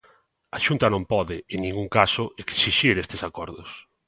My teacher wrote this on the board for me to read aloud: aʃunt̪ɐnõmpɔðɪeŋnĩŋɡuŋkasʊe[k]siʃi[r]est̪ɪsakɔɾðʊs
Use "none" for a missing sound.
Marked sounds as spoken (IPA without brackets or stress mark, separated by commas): k, ɾ